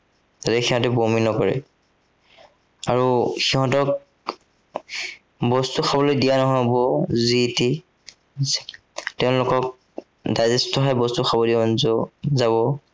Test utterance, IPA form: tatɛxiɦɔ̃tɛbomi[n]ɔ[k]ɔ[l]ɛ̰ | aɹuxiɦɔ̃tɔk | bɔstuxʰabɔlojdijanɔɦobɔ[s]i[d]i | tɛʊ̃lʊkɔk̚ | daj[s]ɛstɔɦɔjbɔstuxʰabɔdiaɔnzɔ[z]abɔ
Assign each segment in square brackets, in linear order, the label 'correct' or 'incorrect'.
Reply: correct, correct, incorrect, incorrect, incorrect, incorrect, correct

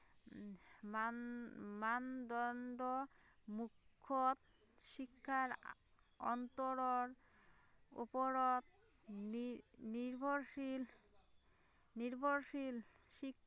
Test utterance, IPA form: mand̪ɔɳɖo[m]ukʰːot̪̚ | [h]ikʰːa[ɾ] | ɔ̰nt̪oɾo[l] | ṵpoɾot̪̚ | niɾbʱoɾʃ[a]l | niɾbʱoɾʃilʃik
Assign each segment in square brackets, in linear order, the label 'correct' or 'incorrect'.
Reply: correct, incorrect, correct, incorrect, incorrect

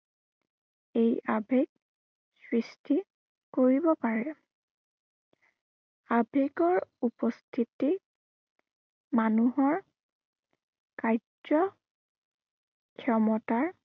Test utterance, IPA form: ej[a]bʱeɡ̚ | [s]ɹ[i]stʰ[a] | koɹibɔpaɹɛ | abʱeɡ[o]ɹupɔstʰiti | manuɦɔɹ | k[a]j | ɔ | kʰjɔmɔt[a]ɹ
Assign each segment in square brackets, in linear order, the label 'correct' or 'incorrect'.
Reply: correct, correct, correct, incorrect, incorrect, correct, correct

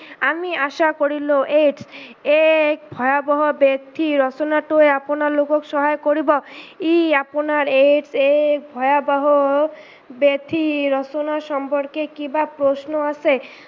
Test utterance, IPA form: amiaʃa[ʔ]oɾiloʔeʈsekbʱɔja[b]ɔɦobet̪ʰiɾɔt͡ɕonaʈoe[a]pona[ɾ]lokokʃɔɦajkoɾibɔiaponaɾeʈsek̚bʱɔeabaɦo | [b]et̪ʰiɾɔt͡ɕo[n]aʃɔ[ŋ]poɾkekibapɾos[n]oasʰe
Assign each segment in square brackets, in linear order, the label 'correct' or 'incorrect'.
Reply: incorrect, correct, correct, correct, correct, correct, incorrect, correct

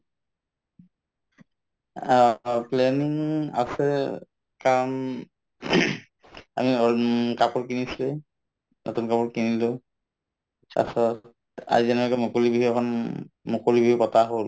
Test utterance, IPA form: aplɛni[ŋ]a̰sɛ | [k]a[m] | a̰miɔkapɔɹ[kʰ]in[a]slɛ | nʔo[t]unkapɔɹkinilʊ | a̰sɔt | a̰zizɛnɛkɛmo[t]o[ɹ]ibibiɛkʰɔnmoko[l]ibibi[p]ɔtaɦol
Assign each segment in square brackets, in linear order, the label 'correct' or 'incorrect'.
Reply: correct, correct, correct, incorrect, incorrect, correct, incorrect, incorrect, correct, correct

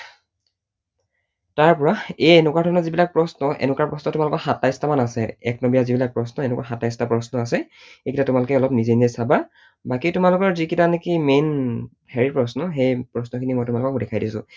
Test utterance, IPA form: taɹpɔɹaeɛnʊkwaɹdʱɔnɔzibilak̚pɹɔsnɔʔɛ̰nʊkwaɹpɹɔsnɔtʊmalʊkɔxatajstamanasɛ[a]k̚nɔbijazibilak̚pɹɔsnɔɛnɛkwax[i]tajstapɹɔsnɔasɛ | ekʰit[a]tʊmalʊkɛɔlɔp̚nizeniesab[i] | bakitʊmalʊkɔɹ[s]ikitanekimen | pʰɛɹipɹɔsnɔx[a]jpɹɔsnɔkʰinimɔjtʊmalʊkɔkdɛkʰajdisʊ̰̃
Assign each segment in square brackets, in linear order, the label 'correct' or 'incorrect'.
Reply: incorrect, incorrect, correct, incorrect, incorrect, incorrect

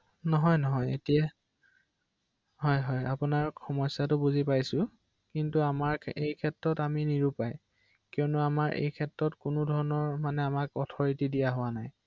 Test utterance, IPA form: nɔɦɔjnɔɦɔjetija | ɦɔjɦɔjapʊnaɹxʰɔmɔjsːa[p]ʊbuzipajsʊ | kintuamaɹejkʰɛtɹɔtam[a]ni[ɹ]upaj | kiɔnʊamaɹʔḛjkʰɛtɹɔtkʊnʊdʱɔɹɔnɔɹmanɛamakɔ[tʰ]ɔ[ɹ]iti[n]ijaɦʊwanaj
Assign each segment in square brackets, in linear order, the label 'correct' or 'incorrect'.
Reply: incorrect, incorrect, correct, correct, correct, incorrect

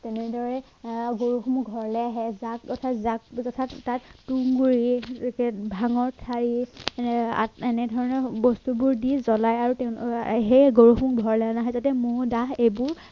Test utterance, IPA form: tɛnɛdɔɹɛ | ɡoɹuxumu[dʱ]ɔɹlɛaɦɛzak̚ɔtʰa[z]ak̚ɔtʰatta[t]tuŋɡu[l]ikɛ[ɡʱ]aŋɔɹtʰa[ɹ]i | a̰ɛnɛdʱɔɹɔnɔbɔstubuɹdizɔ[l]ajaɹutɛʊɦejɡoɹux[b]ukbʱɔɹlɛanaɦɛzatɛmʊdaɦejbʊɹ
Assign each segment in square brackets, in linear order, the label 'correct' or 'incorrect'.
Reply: incorrect, correct, correct, incorrect, incorrect, correct, correct, incorrect

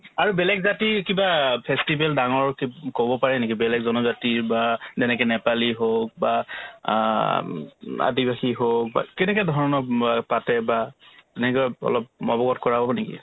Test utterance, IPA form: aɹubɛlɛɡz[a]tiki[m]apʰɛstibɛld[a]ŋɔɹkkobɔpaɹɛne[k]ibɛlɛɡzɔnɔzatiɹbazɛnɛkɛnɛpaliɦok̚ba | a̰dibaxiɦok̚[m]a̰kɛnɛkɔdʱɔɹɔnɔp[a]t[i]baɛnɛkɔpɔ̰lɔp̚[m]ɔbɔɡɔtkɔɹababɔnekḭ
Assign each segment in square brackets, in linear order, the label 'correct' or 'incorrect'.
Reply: correct, incorrect, correct, correct, incorrect, correct, incorrect, correct

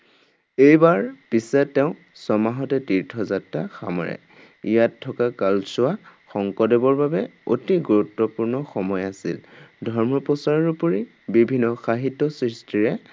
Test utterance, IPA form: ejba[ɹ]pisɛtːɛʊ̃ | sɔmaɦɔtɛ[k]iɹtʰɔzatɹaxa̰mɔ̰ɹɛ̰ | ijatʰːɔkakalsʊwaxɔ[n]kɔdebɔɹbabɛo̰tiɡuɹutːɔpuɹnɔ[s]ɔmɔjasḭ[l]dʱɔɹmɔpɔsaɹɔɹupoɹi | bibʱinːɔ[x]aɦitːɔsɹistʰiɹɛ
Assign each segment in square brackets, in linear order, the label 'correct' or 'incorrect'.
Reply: correct, incorrect, incorrect, incorrect, correct, correct

